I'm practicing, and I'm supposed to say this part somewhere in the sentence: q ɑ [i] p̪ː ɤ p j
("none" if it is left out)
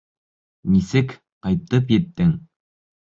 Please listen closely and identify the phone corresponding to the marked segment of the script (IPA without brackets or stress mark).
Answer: j